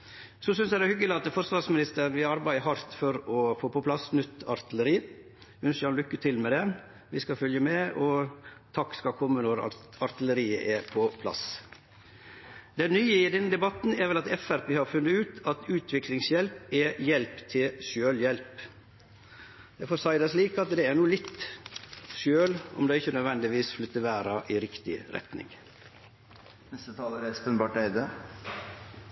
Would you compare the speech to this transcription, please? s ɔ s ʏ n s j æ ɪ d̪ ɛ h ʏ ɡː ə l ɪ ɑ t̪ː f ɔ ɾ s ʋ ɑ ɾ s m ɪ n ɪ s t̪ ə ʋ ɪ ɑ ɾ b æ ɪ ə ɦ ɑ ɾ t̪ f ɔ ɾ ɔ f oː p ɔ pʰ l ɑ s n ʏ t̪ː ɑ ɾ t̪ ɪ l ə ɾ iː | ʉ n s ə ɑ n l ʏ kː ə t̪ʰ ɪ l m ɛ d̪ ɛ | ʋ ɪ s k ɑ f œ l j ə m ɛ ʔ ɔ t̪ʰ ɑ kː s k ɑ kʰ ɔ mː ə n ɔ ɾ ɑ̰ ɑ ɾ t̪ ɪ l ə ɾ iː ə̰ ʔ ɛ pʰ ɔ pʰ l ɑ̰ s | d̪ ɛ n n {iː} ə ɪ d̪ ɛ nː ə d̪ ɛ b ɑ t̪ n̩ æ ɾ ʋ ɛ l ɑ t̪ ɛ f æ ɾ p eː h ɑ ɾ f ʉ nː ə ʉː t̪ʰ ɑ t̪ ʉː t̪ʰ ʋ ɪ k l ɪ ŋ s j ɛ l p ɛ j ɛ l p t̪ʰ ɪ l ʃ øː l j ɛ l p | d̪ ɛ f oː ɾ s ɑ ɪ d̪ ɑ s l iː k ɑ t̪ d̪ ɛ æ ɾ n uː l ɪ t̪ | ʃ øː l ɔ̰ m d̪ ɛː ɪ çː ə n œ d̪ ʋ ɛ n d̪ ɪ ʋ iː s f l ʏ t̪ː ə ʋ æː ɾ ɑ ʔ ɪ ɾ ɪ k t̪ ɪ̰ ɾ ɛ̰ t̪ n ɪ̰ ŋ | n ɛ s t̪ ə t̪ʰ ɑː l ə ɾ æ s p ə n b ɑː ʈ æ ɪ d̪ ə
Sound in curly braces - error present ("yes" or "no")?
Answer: yes